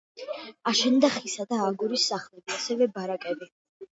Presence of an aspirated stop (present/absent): absent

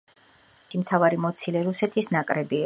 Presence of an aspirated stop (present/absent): present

